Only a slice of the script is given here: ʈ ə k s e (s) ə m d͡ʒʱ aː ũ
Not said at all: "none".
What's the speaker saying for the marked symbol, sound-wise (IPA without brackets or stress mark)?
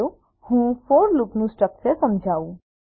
s